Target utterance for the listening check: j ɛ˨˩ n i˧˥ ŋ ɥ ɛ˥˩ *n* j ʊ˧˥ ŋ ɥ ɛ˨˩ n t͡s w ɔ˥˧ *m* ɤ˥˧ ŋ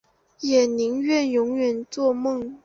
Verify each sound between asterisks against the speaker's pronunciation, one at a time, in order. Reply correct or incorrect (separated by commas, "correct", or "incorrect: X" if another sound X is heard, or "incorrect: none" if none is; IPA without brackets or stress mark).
correct, correct